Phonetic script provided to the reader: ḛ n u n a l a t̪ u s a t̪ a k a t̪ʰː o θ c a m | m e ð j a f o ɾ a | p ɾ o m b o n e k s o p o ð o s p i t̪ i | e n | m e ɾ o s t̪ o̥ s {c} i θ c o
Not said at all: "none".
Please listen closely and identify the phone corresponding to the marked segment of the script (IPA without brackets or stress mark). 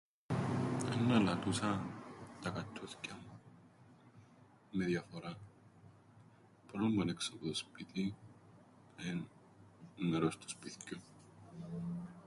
p